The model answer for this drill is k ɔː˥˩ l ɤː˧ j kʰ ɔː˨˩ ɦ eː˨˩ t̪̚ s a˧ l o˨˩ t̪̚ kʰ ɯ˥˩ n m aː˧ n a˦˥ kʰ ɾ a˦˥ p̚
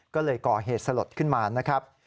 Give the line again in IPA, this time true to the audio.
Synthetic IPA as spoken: k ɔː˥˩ l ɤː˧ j k ɔː˨˩ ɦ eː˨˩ t̪̚ s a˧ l o˨˩ t̪̚ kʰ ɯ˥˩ n m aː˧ n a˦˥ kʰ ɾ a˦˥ p̚